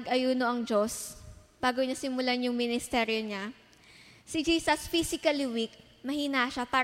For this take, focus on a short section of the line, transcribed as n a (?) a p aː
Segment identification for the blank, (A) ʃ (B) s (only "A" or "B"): A